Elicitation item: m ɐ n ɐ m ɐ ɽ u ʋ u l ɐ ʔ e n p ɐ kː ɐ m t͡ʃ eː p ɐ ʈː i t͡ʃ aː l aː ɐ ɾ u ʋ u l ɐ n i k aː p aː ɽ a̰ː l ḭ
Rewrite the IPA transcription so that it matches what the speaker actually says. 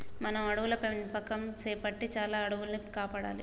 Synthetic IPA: m ɐ n ɐ m ɐ ɽ u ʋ u l ɐ p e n p ɐ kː ɐ m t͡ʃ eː p ɐ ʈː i t͡ʃ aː l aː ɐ ɽ u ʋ u l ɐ n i k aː p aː ɽ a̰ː l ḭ